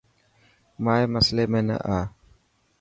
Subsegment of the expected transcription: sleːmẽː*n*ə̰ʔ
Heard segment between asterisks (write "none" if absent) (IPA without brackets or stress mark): n